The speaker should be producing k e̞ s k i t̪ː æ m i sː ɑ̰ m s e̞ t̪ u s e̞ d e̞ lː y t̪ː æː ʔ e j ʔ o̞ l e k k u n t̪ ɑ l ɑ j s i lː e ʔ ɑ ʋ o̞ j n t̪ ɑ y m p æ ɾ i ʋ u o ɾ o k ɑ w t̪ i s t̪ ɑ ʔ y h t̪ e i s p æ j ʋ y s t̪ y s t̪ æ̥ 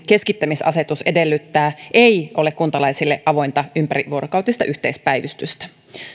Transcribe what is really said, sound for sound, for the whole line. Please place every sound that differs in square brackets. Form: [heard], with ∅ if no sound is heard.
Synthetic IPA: k e̞ s k i t̪ː æ m i [s] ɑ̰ [∅] s e̞ t̪ u s e̞ d e̞ lː y t̪ː æː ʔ e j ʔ o̞ l e k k u n t̪ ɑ l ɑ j s i lː e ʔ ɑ ʋ o̞ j n t̪ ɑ y m p æ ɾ i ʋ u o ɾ o k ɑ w t̪ i s t̪ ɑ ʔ y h t̪ e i s p æ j ʋ y s t̪ y s t̪ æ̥